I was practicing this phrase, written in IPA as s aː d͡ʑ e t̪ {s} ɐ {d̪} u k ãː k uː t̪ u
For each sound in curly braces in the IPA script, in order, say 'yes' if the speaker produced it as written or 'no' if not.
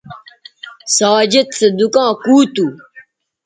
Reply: yes, yes

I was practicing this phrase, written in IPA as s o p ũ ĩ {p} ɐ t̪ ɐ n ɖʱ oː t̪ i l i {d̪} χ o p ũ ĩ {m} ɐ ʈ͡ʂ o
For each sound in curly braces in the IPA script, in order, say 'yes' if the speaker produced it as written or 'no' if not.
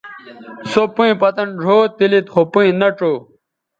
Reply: yes, no, no

